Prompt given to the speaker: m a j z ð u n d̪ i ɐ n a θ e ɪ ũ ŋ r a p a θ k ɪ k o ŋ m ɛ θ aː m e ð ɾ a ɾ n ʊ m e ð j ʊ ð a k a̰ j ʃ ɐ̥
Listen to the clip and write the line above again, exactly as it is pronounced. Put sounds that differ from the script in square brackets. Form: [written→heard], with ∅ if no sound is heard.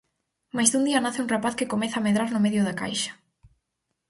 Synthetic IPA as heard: m a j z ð u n d̪ i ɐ n a θ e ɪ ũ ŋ r a p a θ k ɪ k o [ŋ→∅] m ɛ θ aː m e ð ɾ a ɾ n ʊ m e ð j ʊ ð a k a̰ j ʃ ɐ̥